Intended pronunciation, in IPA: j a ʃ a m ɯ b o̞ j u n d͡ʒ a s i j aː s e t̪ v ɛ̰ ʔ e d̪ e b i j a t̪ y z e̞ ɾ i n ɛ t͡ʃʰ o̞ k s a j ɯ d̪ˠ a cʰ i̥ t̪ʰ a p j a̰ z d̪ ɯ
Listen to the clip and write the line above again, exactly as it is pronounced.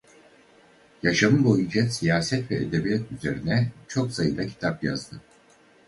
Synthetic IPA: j a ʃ a m ɯ b o̞ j u n d͡ʒ a s i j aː s ɛ t̪ v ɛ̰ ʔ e d̪ e b i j a t̪ y z e̞ ɾ i n ɛ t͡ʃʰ o̞ k s a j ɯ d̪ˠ a cʰ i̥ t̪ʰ a p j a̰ z d̪ ɯ